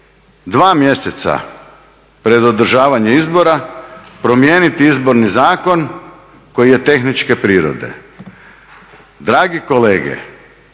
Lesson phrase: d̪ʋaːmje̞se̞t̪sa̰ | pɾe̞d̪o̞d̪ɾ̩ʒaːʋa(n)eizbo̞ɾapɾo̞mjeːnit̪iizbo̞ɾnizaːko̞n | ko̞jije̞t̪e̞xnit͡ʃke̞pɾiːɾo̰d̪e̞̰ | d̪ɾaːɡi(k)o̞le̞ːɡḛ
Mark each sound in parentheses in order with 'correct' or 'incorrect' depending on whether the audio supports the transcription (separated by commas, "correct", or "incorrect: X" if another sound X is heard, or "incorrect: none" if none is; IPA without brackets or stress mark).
incorrect: ɲ, correct